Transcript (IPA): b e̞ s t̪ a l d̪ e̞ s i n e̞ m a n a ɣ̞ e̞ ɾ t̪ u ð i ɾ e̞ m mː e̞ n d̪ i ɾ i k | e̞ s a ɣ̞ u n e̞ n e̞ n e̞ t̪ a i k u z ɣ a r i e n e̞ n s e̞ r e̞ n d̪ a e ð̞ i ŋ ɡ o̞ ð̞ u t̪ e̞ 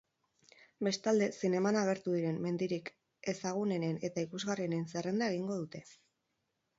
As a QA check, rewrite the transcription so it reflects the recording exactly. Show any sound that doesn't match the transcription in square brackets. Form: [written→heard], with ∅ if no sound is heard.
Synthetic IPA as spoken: b e̞ s t̪ a l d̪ e̞ s i n e̞ m a n a ɣ̞ e̞ ɾ t̪ u ð i ɾ e̞ m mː e̞ n d̪ i ɾ i k | e̞ s a ɣ̞ u n e̞ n e̞ n e̞ t̪ a i k u z ɣ a r i e n e̞ n s e̞ r e̞ n d̪ a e [ð̞→ɣ̞] i ŋ ɡ o̞ ð̞ u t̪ e̞